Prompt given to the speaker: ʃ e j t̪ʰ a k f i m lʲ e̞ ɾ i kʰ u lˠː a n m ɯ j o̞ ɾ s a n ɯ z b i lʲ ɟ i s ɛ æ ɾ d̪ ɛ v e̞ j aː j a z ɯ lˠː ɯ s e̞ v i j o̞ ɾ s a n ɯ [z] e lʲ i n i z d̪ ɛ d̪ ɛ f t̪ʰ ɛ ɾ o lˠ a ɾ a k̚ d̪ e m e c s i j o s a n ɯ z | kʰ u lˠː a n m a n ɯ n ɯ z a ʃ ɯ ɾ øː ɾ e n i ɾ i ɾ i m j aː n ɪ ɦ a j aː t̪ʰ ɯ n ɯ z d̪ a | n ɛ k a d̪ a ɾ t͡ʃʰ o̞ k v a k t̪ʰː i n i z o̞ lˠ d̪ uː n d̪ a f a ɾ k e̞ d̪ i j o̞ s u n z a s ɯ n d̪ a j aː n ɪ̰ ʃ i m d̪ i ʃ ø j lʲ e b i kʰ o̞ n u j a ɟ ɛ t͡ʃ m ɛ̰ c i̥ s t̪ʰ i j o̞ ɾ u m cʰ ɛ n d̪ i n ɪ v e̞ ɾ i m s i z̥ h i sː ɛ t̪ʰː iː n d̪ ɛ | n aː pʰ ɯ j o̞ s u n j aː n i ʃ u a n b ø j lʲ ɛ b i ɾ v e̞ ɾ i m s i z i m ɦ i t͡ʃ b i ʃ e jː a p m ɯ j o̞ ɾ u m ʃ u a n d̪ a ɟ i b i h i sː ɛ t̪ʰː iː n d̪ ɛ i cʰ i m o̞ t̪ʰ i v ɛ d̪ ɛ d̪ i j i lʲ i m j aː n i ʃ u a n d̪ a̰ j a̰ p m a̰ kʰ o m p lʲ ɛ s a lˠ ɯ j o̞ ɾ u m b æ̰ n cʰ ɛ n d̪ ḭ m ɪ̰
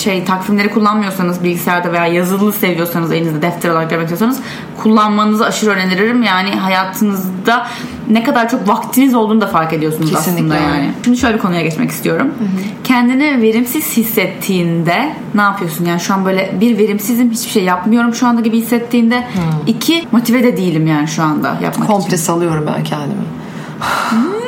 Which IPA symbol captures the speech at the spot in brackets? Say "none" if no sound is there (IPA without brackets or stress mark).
z